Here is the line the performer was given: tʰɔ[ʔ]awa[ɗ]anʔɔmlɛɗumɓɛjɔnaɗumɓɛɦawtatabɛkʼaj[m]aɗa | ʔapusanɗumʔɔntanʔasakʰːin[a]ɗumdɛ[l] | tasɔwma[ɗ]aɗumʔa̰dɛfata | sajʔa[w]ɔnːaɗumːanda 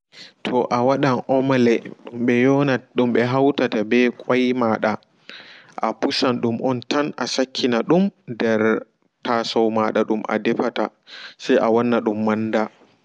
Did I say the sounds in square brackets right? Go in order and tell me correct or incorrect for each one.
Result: correct, correct, correct, correct, incorrect, correct, correct

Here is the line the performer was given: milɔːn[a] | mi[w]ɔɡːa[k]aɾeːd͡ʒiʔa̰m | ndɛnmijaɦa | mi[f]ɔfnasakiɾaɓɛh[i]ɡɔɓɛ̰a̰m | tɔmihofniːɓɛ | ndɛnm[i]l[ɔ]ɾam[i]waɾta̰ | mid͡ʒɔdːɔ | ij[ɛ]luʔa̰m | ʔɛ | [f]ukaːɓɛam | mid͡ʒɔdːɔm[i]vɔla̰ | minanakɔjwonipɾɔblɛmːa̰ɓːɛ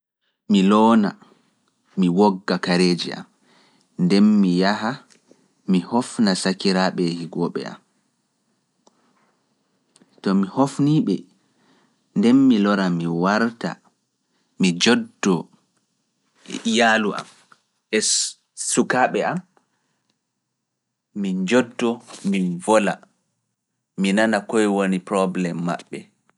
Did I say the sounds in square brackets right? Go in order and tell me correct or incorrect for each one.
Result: correct, correct, correct, incorrect, correct, correct, correct, correct, incorrect, incorrect, correct

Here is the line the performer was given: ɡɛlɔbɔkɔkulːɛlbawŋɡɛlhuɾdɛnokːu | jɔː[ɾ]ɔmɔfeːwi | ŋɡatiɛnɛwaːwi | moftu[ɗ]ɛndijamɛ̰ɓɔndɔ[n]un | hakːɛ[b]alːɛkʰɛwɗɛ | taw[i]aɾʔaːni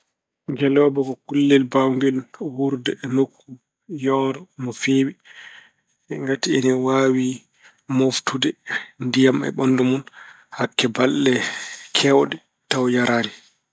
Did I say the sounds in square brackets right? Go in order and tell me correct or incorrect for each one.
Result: correct, incorrect, incorrect, correct, incorrect

